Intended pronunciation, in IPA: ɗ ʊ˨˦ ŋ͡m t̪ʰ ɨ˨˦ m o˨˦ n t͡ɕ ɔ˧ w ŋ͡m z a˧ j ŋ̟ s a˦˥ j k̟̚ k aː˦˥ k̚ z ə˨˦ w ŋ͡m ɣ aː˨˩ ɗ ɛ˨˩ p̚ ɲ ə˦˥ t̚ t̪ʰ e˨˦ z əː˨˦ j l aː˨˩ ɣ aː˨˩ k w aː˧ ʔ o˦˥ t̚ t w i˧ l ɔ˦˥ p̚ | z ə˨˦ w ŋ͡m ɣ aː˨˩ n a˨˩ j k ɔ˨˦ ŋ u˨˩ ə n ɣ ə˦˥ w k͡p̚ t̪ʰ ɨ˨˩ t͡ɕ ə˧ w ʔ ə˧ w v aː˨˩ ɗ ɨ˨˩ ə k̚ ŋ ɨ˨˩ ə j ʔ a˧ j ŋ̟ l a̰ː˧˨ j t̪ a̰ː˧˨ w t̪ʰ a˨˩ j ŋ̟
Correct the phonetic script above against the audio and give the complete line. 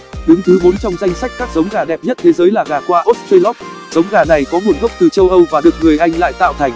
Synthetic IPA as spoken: ɗ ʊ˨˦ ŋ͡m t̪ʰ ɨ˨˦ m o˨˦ n t͡ɕ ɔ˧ w ŋ͡m z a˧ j ŋ̟ s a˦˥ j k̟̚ k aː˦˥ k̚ z ə˨˦ w ŋ͡m ɣ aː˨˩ ɗ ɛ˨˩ p̚ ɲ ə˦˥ t̚ t̪ʰ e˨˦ z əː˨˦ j l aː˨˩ ɣ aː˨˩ k w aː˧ ʔ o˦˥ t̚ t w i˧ l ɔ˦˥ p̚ | z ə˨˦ w ŋ͡m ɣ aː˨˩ n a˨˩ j k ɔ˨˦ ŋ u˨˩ ə n ɣ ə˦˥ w k͡p̚ t̪ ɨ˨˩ t͡ɕ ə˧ w ʔ ə˧ w v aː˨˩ ɗ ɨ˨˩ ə k̚ ŋ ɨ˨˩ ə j ʔ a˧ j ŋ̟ l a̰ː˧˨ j t̪ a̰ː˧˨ w t̪ʰ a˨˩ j ŋ̟

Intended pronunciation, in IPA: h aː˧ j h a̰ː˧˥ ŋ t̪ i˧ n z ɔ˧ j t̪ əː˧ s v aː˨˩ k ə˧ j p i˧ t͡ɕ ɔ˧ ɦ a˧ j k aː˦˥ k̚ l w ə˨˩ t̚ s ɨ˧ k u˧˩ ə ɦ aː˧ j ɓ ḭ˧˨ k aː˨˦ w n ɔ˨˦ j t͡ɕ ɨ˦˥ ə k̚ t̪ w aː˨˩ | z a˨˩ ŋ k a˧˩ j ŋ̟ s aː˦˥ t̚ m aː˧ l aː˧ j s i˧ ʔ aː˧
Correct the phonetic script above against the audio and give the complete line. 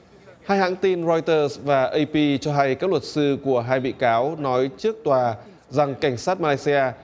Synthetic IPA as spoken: h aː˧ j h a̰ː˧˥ ŋ t̪ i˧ n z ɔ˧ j t̪ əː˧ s v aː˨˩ ʔ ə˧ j p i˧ t͡ɕ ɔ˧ ɦ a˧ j k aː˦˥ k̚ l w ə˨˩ t̚ s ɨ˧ k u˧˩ ə ɦ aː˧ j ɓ ḭ˧˨ k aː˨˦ w n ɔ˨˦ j t͡ɕ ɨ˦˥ ə k̚ t̪ w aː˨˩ | z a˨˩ ŋ k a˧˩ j ŋ̟ s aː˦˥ t̚ m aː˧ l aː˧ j s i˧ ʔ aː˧

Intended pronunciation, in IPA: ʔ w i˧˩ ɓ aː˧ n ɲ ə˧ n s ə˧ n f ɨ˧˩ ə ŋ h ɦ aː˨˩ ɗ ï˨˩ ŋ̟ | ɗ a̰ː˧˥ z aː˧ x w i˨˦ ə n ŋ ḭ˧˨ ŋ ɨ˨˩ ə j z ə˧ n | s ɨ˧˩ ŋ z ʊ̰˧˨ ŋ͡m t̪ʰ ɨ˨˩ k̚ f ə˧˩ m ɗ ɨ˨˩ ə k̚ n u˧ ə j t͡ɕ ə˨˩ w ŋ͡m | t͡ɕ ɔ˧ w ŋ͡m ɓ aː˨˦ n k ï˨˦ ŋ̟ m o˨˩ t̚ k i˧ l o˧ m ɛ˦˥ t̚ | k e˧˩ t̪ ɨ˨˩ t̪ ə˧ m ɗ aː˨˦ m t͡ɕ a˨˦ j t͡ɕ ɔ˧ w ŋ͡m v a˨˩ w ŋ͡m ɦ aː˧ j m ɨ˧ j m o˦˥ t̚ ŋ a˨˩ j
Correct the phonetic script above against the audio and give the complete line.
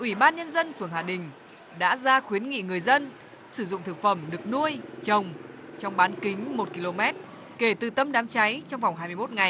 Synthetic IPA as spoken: ʔ w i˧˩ ɓ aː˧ n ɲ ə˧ n z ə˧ n f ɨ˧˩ ə ŋ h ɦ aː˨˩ ɗ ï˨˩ ŋ̟ | ɗ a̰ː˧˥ z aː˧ x w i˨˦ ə n ŋ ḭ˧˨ ŋ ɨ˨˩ ə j z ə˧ n | s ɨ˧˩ z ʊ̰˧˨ ŋ͡m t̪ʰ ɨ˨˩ k̚ f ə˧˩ m ɗ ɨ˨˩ ə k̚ n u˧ ə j t͡ɕ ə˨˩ w ŋ͡m | t͡ɕ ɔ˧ w ŋ͡m ɓ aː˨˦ n k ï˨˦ ŋ̟ m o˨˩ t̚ k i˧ l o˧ m ɛ˦˥ t̚ | k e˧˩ t̪ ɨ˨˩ t̪ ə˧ m ɗ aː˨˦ m t͡ɕ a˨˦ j t͡ɕ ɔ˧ w ŋ͡m v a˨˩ w ŋ͡m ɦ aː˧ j m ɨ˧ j m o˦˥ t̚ ŋ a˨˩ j

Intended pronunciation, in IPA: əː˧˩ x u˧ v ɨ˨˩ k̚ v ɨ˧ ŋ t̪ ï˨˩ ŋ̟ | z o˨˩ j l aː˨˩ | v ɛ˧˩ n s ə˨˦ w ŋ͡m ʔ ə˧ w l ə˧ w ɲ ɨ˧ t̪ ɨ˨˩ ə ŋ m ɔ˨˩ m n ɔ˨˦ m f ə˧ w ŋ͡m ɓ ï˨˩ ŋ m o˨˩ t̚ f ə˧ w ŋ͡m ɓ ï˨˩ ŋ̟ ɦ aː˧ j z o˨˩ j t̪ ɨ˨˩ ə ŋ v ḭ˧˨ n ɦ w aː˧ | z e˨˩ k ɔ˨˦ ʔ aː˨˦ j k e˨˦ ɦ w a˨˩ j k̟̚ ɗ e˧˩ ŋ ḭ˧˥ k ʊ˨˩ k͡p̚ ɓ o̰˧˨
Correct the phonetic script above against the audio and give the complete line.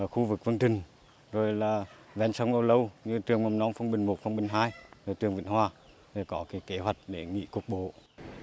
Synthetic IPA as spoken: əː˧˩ x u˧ v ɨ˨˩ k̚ v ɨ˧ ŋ t̪ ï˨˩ ŋ̟ | z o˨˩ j l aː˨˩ | v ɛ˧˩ n s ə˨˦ w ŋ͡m ʔ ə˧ w l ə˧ w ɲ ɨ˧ t̪ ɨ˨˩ ə ŋ m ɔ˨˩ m n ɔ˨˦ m f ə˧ w ŋ͡m ɓ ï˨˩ ŋ m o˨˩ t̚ f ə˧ w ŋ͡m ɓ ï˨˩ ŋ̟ ɦ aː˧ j z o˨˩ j t̪ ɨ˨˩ ə ŋ v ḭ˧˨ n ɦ w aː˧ | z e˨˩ k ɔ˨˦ k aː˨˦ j k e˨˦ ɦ w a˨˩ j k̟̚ ɗ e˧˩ ŋ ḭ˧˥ k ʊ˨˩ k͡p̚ ɓ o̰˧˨

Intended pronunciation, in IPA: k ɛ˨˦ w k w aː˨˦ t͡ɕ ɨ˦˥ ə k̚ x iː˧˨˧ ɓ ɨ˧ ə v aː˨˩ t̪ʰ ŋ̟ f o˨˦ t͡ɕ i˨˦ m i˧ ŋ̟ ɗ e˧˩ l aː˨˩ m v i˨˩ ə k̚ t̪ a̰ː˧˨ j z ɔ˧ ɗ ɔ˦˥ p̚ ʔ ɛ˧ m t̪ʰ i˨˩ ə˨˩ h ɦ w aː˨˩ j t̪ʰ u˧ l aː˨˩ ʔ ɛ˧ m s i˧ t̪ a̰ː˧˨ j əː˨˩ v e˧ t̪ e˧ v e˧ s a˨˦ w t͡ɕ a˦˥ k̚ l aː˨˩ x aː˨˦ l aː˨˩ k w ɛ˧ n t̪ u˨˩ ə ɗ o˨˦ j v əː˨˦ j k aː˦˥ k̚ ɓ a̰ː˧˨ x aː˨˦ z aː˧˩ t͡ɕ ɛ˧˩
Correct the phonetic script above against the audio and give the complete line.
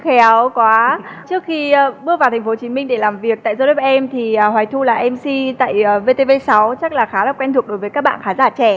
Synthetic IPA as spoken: x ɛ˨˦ w k w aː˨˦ t͡ɕ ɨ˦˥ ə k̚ x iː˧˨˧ ɓ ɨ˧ ə v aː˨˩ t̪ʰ ŋ̟ f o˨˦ t͡ɕ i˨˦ m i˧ ŋ̟ ɗ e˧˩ l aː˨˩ m v i˨˩ ə k̚ t̪ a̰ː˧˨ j z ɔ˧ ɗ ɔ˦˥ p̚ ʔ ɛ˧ m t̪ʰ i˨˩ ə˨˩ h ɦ w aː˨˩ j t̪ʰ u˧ l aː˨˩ ʔ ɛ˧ m s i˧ t̪ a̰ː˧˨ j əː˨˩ v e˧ t̪ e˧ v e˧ s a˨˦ w t͡ɕ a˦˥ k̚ l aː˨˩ x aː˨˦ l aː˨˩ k w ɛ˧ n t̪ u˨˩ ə ɗ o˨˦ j v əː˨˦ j k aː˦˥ k̚ ɓ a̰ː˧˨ x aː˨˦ z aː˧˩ t͡ɕ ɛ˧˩

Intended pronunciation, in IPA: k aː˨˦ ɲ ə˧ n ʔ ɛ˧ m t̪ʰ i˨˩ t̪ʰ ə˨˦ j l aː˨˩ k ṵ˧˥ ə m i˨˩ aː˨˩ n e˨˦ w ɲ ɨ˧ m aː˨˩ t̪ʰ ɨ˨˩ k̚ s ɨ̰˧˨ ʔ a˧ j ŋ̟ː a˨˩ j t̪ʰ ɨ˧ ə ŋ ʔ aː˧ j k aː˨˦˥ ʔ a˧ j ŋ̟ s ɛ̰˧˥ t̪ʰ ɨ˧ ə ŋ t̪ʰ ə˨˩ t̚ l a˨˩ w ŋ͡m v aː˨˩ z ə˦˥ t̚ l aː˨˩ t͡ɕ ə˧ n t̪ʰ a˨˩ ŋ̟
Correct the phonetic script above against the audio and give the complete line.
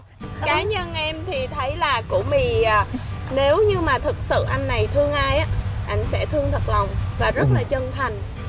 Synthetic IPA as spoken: k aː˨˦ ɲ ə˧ n ʔ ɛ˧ m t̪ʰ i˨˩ t̪ʰ ə˨˦ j l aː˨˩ k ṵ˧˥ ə m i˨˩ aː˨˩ n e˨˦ w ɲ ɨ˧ m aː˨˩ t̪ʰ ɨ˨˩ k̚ s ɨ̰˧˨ ʔ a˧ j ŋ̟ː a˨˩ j t̪ʰ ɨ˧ ə ŋ ʔ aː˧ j ʔ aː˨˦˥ ʔ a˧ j ŋ̟ s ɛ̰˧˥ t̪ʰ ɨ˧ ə ŋ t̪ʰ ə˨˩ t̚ l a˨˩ w ŋ͡m v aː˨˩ z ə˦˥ t̚ l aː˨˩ t͡ɕ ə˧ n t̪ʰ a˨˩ ŋ̟

